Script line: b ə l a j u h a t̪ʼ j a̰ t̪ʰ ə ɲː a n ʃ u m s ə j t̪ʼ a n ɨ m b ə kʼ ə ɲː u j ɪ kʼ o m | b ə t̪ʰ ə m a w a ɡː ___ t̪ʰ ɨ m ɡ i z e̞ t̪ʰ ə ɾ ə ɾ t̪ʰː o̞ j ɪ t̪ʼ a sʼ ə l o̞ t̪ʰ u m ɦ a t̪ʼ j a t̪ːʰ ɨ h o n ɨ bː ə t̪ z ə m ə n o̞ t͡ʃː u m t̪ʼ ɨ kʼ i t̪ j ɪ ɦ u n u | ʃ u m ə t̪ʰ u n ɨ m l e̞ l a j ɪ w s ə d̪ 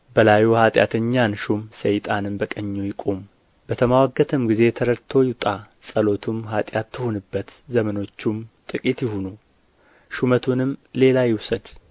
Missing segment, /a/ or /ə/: ə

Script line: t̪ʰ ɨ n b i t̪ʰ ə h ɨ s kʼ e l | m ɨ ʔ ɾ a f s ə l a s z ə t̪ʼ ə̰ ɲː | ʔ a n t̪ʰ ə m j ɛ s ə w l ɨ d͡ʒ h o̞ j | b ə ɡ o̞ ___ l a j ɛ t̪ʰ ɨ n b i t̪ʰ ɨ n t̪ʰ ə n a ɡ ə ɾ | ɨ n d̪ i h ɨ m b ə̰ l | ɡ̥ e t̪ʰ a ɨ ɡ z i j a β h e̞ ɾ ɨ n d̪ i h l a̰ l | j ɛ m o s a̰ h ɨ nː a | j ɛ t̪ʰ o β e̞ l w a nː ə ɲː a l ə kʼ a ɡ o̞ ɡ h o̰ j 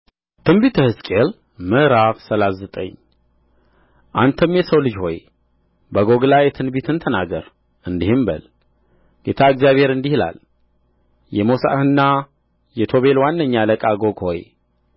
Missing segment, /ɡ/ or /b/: ɡ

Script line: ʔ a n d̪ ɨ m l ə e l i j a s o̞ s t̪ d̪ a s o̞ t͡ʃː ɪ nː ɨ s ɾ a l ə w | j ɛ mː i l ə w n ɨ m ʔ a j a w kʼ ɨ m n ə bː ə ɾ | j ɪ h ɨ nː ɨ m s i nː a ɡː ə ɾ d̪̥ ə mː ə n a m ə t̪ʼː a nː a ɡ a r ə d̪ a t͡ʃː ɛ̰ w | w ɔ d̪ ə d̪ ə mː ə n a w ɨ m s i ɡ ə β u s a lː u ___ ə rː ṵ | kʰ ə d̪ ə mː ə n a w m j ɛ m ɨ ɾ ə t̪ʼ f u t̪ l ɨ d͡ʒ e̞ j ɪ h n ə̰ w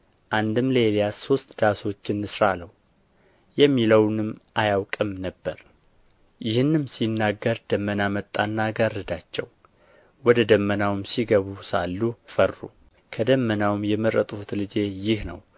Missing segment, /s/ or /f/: f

